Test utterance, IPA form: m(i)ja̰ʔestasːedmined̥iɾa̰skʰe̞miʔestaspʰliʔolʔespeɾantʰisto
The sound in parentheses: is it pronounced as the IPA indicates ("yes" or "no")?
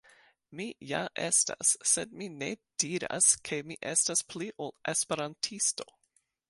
yes